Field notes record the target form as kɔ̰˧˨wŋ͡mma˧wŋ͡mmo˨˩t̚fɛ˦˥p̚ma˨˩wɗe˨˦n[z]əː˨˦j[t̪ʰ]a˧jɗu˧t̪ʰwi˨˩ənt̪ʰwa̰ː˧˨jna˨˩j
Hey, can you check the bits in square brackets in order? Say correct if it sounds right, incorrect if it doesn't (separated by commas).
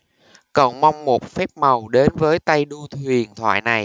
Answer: incorrect, incorrect